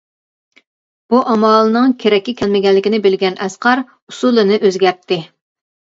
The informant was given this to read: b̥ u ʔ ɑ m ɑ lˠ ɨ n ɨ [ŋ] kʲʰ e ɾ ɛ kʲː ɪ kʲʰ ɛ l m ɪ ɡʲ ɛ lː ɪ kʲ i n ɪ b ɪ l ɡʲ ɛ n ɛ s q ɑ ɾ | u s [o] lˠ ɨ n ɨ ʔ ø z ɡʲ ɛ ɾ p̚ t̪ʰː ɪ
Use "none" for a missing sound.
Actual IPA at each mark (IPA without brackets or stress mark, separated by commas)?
ŋ, u